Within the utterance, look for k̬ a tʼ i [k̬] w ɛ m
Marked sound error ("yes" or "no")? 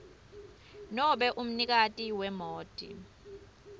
yes